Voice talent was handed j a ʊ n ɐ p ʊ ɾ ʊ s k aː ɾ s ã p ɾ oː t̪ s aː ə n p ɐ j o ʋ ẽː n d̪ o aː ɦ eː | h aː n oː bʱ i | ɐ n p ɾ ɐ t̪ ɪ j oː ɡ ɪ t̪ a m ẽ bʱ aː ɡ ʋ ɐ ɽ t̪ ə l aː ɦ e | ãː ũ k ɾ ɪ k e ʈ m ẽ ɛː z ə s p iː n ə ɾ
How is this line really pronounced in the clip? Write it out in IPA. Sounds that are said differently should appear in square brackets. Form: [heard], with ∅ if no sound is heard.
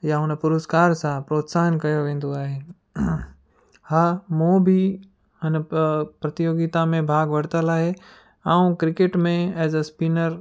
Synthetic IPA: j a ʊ n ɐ p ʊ ɾ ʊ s k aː ɾ s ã p ɾ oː t̪ s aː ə n [k] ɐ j o ʋ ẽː n d̪ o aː ɦ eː | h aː [m] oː bʱ i | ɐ n p ɾ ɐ t̪ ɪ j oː ɡ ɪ t̪ a m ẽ bʱ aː ɡ ʋ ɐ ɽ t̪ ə l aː ɦ e | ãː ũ k ɾ ɪ k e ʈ m ẽ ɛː z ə s p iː n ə ɾ